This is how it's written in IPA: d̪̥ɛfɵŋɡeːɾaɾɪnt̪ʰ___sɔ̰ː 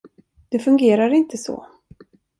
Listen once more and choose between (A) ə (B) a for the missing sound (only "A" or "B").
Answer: A